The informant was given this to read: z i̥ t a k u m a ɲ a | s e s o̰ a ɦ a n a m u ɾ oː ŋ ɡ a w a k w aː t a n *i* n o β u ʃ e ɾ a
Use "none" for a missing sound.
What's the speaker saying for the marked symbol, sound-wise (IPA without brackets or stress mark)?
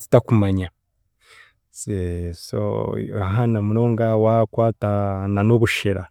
a